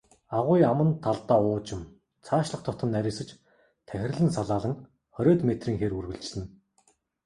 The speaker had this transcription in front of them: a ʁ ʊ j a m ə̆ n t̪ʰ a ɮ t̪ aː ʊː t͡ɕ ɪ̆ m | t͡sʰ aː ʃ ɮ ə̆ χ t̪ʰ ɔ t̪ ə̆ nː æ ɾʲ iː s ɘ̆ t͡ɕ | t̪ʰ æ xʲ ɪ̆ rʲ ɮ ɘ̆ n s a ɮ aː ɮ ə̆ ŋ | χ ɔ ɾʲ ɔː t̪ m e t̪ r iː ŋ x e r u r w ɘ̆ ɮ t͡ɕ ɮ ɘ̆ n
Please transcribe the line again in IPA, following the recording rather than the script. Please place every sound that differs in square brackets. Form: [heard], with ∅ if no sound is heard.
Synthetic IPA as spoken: a ʁ ʊ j a m ə̆ n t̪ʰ a ɮ t̪ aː ʊː t͡ɕ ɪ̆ m | t͡sʰ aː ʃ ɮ ə̆ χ t̪ʰ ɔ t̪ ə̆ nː æ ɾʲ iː s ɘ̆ t͡ɕ | t̪ʰ æ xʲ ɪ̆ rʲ ɮ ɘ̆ n s a ɮ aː ɮ ə̆ ŋ | χ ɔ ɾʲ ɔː t̪ m e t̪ r iː ŋ x e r u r [ɣ] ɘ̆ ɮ t͡ɕ ɮ ɘ̆ n